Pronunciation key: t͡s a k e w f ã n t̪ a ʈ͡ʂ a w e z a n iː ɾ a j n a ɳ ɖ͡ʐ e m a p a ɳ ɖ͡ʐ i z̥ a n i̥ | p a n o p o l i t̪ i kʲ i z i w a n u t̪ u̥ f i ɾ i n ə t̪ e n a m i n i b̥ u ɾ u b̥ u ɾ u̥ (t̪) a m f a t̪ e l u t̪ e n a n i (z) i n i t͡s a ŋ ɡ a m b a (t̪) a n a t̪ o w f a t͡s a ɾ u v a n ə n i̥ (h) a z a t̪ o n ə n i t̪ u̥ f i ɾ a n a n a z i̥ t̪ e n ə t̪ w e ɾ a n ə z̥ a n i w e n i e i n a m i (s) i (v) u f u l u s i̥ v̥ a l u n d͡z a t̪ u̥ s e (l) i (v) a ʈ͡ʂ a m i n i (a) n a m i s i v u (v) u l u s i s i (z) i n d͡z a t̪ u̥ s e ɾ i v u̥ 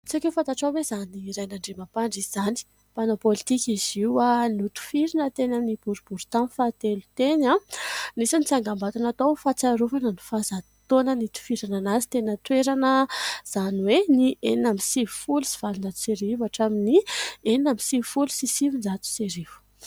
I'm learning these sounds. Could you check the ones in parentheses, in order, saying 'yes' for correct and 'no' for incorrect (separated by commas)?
yes, no, yes, no, yes, yes, no, yes, no, no, no